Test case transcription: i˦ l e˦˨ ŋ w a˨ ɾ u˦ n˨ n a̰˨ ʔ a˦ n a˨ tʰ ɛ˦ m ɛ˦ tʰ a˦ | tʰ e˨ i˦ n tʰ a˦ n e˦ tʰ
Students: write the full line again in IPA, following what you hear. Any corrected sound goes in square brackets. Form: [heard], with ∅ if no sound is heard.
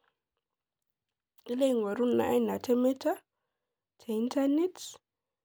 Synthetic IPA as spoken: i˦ l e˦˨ ŋ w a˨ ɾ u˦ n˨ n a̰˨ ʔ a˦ n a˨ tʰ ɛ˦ m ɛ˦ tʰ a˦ | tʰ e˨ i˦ n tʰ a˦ n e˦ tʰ